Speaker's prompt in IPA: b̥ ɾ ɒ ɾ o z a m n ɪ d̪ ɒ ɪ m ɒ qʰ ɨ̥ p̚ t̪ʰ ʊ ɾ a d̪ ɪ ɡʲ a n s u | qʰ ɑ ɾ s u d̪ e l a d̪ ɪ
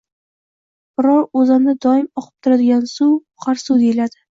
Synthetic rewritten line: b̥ ɾ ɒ ɾ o z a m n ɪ d̪ ɒ ɪ m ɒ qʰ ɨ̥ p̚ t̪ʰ ʊ ɾ a d̪ ɪ ɡʲ a n s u | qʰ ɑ ɾ s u d̪ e l a d̪ ɪ